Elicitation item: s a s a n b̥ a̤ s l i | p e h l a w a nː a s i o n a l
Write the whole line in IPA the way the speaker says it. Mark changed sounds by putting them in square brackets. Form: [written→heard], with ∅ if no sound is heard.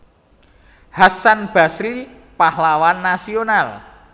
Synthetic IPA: [s→h] a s a n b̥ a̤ s [l→ɾ] i | p [e→a] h l a w a nː a s i o n a l